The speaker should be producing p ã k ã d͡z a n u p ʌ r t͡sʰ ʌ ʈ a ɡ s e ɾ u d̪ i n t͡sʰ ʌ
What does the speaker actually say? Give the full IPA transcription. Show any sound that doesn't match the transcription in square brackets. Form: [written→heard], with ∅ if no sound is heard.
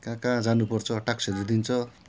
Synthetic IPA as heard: [p→k] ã k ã d͡z a n u p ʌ r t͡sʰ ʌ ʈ a [ɡ→k] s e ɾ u d̪ i n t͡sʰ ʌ